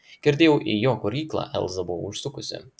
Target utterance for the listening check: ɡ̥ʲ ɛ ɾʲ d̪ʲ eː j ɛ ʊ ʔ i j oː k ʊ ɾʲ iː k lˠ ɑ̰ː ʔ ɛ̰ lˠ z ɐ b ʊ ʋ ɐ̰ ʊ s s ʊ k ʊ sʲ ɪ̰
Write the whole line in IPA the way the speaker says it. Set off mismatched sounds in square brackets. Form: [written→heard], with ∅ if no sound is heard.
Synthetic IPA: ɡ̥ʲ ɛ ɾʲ d̪ʲ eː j ɛ ʊ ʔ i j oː k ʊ ɾʲ iː k lˠ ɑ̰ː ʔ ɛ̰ lˠ z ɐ b ʊ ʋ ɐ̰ ʊ [s→ʃ] s ʊ k ʊ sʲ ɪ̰